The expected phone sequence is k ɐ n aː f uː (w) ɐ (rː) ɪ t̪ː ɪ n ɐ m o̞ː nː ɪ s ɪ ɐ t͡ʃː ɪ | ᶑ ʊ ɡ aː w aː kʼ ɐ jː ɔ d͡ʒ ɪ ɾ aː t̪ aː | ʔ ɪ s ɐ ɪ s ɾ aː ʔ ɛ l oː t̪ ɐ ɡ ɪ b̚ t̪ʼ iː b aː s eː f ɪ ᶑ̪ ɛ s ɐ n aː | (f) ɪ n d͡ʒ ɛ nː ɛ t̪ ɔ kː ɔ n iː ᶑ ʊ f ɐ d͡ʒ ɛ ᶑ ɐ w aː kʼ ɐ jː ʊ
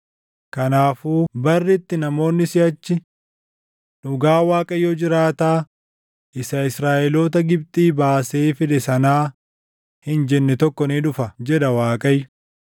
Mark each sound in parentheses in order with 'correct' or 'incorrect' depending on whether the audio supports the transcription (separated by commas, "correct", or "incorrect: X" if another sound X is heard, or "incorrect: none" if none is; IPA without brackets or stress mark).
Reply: incorrect: b, correct, incorrect: h